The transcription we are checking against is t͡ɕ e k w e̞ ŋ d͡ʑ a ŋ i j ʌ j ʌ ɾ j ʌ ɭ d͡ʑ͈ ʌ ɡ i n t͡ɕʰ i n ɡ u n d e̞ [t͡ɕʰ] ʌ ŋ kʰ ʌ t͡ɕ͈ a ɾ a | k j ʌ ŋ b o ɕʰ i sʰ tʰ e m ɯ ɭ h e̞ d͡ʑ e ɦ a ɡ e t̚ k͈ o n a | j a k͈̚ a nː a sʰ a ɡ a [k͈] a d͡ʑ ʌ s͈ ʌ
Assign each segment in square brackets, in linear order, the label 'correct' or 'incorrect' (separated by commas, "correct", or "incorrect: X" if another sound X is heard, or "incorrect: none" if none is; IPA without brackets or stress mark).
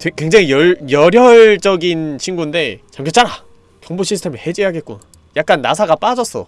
incorrect: t͡ɕ, incorrect: p͈